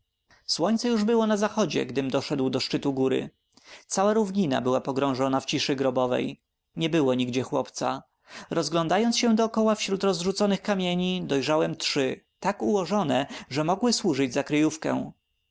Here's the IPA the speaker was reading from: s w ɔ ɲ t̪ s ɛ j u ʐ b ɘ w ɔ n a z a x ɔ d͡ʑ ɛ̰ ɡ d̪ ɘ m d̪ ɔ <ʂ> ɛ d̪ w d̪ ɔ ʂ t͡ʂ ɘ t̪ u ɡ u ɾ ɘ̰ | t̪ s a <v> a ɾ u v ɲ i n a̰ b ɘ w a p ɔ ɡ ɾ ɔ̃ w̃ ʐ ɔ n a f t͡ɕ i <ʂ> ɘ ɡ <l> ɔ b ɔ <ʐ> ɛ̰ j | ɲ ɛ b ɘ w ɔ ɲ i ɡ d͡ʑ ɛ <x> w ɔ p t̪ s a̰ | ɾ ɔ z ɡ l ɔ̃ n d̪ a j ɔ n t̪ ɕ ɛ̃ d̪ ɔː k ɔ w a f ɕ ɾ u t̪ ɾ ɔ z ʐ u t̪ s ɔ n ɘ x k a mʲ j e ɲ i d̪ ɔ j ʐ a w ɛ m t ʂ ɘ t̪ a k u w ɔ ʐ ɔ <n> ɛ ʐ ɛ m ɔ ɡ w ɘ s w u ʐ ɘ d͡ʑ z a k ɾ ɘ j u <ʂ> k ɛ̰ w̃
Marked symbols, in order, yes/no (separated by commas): yes, no, yes, no, no, yes, yes, no